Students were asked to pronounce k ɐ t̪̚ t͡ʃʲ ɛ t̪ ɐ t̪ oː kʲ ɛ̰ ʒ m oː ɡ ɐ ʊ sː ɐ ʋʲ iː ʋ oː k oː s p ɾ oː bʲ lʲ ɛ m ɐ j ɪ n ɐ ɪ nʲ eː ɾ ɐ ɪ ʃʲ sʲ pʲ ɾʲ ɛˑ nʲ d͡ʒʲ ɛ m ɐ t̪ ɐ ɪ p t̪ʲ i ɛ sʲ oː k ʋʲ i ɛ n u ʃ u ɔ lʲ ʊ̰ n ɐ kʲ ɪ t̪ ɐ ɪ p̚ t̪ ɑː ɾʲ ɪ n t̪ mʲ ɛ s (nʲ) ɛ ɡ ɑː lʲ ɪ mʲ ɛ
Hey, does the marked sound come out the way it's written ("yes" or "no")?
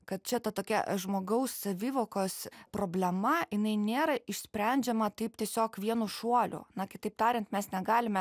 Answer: yes